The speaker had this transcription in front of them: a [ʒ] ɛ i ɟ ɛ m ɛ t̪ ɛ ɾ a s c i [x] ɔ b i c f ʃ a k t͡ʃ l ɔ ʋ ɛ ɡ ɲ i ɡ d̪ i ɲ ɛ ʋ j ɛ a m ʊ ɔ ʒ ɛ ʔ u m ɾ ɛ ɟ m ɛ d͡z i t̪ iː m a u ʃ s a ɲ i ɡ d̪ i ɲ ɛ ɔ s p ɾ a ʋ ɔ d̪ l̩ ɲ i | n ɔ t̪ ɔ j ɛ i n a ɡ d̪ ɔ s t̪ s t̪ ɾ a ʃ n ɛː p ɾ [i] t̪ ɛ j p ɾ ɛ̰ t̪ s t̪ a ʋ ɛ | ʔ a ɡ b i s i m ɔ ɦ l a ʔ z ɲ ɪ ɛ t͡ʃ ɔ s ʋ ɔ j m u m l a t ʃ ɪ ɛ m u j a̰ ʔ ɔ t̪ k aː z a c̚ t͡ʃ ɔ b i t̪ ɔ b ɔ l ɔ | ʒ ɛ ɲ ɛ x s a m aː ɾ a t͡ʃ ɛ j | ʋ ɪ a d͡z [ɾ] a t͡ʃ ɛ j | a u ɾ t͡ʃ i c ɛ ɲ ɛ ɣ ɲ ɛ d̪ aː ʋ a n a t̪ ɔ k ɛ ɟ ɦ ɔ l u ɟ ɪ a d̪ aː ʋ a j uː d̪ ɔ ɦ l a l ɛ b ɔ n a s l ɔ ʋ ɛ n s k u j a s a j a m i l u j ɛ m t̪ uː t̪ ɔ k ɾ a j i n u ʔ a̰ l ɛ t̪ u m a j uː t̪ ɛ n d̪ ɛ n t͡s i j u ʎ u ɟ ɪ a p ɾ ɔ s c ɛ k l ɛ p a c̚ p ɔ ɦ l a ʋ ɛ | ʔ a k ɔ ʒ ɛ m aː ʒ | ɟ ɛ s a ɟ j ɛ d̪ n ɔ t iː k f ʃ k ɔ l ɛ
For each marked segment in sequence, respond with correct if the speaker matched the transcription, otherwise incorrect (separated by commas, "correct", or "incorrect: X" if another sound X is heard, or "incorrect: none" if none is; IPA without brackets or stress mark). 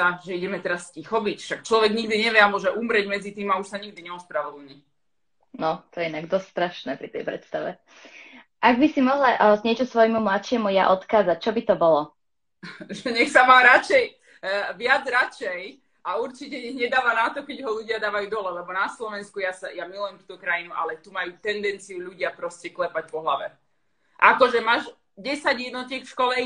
correct, correct, correct, correct